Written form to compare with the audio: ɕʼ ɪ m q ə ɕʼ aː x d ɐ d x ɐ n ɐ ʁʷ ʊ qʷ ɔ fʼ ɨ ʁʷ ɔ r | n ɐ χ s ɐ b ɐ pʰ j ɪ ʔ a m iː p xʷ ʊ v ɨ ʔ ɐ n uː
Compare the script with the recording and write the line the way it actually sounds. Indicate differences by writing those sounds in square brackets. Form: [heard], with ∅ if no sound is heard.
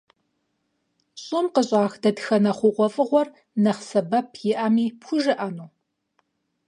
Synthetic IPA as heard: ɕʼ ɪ m q ə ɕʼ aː x d ɐ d x ɐ n ɐ [χʷ] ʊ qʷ ɔ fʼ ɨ ʁʷ ɔ r | n ɐ χ s ɐ b ɐ pʰ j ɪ ʔ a m iː p xʷ ʊ [ʒ] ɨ ʔ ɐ n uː